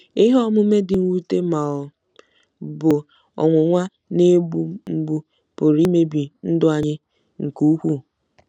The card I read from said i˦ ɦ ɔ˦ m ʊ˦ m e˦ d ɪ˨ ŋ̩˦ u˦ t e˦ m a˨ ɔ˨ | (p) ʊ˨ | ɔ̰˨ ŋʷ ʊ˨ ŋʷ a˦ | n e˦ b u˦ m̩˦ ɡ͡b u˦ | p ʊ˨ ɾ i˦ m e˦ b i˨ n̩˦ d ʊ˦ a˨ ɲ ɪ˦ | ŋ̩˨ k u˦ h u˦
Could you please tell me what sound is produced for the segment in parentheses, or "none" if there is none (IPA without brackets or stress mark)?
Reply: b